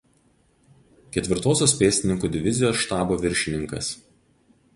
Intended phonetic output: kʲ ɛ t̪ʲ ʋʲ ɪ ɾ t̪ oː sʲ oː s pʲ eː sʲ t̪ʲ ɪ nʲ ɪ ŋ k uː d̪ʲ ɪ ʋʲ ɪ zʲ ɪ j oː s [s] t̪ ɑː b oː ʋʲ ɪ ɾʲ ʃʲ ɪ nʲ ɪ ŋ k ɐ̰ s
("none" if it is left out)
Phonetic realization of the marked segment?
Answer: ʃ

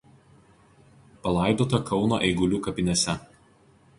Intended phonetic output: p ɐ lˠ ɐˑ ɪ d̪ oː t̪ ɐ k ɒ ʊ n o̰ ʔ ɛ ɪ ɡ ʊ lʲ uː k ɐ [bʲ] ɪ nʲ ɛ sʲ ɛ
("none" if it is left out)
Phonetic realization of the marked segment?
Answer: pʲ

